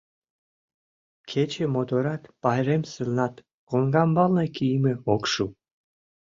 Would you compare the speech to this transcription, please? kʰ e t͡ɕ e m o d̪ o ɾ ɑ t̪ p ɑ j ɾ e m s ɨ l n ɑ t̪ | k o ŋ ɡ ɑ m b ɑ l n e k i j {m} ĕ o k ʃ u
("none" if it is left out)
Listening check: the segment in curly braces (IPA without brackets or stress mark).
m